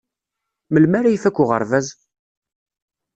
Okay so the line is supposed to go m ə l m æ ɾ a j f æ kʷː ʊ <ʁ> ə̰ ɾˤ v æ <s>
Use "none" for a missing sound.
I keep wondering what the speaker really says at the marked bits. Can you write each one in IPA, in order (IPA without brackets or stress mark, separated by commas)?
ʁ, z